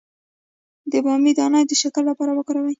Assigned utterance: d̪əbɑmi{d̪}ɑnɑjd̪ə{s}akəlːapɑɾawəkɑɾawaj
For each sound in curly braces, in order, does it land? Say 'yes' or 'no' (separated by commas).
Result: yes, no